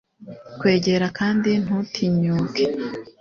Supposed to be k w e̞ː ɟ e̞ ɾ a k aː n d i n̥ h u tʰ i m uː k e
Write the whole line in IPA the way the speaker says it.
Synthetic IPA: k w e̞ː ɟ e̞ ɾ a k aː n d i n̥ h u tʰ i ɲ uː k e